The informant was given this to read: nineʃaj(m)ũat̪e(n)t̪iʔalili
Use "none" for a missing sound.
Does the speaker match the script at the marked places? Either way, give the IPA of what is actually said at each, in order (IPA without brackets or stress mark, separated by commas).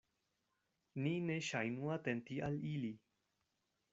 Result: n, n